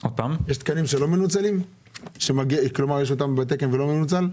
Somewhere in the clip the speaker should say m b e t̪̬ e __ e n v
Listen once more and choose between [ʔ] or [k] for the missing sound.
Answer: k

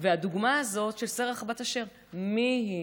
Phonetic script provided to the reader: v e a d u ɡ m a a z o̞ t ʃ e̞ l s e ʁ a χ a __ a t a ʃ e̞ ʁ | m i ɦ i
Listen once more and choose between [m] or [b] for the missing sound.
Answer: b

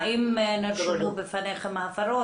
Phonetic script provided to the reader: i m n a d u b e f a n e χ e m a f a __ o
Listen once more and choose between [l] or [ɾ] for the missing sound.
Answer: ɾ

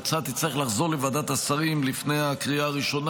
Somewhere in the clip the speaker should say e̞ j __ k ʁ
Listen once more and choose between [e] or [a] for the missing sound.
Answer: a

